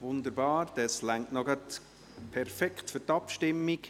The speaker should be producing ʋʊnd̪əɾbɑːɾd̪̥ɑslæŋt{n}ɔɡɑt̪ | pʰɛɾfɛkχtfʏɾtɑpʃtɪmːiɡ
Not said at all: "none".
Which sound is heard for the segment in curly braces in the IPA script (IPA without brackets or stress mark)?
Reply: n